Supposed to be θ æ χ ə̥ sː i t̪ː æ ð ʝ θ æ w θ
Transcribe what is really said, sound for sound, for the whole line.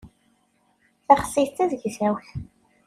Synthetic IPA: θ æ χ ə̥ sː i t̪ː æ ð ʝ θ æ w θ